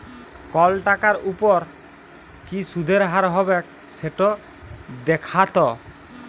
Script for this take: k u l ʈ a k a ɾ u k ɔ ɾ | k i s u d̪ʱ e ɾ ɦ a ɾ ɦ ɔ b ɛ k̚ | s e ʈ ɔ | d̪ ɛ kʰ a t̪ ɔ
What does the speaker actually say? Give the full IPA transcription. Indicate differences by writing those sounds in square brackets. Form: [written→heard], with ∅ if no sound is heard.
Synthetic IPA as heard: k [u→ɔ] l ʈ a k a ɾ u [k→p] ɔ ɾ | k i s u d̪ʱ e ɾ ɦ a ɾ ɦ ɔ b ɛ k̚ | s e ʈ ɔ | d̪ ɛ kʰ a t̪ ɔ